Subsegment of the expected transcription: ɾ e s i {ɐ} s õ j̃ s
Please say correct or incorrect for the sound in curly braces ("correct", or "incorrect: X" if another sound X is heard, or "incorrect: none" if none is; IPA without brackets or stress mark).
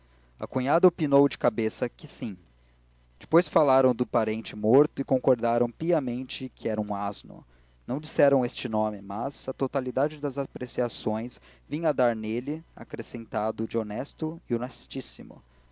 incorrect: a